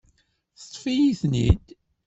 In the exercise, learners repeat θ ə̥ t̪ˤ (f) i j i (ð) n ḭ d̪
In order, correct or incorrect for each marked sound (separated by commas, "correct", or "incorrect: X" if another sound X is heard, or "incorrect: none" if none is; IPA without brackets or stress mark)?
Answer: correct, incorrect: θ